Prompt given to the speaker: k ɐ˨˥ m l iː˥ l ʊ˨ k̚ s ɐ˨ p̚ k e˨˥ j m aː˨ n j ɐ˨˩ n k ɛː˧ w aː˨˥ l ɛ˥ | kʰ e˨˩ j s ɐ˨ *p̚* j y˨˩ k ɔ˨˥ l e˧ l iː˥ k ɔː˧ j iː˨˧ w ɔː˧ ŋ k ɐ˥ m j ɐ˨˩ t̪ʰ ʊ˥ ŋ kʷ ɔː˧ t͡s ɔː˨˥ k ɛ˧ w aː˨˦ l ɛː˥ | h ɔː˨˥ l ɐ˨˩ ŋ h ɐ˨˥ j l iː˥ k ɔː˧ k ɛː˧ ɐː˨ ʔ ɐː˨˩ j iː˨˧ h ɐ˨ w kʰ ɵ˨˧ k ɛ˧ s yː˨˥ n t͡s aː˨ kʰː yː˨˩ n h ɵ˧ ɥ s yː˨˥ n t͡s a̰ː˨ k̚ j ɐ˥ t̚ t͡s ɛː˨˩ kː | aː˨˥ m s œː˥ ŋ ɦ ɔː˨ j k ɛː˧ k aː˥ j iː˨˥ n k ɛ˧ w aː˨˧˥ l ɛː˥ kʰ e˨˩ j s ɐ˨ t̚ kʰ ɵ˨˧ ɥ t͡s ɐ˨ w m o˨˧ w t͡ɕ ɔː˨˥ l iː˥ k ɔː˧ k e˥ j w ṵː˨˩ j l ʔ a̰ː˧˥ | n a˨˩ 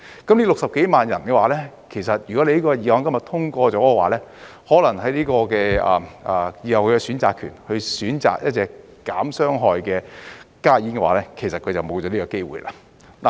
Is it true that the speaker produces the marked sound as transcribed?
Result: no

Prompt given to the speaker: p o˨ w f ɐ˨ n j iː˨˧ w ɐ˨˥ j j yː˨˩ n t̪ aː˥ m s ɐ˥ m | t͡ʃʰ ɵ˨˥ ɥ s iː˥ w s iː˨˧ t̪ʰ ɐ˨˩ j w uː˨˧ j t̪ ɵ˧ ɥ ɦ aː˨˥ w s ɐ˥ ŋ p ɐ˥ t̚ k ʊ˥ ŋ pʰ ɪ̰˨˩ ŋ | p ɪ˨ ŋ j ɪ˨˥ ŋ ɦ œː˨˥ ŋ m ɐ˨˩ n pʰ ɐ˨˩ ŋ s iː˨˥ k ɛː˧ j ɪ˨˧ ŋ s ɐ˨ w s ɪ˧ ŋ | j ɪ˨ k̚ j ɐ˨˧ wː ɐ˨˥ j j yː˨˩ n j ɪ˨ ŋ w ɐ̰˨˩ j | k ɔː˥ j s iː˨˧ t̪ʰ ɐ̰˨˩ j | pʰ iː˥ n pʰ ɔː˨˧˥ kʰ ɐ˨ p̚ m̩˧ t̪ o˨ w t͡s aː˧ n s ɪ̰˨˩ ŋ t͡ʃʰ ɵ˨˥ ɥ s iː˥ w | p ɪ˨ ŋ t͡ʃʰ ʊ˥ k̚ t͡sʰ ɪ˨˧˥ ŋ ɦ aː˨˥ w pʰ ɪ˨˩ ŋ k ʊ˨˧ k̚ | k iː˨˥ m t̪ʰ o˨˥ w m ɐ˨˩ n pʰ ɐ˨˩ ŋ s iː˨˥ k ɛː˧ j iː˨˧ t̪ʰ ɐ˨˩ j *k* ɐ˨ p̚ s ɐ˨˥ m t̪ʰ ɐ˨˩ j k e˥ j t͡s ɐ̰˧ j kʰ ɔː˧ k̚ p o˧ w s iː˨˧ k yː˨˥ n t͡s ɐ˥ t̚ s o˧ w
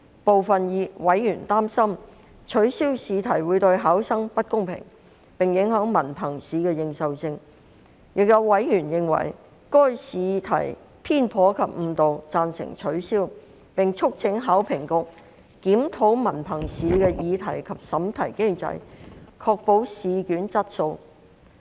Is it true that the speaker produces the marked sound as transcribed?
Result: no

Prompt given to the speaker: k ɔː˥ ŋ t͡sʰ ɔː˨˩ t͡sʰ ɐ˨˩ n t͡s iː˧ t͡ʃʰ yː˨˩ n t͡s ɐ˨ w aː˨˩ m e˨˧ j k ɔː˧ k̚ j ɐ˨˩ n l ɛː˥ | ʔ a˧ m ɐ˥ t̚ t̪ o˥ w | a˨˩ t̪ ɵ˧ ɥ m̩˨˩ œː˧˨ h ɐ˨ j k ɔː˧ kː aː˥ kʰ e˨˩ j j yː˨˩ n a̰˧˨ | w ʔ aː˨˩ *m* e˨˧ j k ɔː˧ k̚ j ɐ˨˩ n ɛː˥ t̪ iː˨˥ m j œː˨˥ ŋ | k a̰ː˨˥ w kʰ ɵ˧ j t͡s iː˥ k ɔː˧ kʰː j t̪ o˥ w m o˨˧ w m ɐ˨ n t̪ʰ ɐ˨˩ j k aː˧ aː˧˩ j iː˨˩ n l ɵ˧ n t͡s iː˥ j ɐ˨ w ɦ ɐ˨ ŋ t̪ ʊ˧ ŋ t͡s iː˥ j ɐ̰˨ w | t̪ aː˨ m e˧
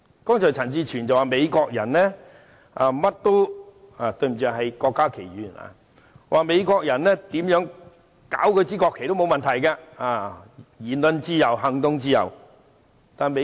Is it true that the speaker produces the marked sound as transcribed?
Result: yes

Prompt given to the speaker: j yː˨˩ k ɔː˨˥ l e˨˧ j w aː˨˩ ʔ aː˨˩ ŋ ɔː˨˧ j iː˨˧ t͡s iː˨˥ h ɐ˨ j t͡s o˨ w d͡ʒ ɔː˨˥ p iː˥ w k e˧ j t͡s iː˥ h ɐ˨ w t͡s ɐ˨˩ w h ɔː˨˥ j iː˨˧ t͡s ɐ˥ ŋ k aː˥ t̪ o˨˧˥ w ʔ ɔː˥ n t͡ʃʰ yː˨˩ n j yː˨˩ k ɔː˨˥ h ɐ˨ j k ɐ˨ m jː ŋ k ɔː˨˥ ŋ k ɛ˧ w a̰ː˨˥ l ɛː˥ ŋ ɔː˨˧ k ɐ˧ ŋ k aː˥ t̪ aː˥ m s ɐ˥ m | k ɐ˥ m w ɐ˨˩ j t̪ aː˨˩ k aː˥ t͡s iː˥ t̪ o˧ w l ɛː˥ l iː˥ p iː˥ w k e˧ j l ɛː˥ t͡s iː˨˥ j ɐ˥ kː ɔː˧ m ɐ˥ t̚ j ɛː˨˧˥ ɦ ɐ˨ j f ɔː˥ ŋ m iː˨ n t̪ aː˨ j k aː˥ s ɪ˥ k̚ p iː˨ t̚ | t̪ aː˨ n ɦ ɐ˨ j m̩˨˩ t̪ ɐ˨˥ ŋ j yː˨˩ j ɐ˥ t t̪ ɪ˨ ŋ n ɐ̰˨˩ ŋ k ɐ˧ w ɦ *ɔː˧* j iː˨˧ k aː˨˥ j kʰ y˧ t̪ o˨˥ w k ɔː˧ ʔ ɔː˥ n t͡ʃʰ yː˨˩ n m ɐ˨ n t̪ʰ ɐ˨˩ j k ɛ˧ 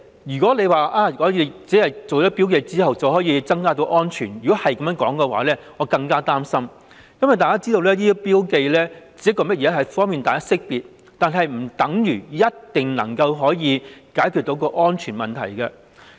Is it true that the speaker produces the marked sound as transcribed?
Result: no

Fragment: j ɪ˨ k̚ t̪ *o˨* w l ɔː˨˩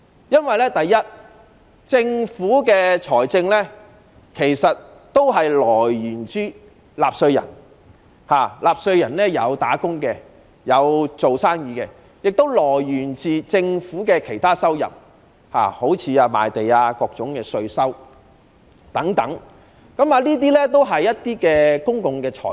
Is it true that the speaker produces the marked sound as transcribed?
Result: no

